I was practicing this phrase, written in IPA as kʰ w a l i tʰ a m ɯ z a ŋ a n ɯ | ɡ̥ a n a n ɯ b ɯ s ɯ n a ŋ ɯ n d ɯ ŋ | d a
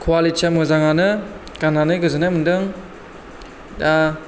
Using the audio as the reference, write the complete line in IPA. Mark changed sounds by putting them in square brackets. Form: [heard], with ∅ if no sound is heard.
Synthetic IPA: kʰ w a l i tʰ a m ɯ z a ŋ a n ɯ | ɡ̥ a n a n ɯ [ɡ] ɯ [z] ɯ n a [m] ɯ n d ɯ ŋ | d a